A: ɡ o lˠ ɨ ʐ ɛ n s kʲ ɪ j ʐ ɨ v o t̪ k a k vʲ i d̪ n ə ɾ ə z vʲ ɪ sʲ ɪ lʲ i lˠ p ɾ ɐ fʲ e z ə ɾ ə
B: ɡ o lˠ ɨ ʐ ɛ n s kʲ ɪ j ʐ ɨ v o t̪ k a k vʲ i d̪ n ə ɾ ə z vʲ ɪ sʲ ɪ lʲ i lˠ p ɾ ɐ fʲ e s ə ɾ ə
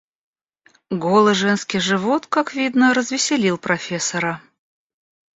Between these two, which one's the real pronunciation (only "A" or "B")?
B